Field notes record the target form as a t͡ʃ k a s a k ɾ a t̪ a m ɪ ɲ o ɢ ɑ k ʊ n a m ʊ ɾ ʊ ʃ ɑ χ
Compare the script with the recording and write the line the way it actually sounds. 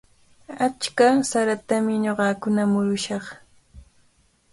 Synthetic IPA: a t͡ʃ k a s a ɾ a t̪ a m ɪ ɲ o ɢ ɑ k ʊ n a m ʊ ɾ ʊ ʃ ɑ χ